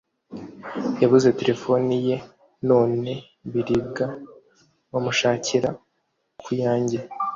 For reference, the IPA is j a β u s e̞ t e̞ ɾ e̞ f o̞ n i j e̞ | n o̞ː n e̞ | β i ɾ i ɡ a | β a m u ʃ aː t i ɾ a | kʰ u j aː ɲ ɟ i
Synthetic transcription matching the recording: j a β u z e̞ t e̞ ɾ e̞ f o̞ n i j e̞ | n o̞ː n e̞ | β i ɾ i ɡ a | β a m u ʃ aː c i ɾ a | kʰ u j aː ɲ ɟ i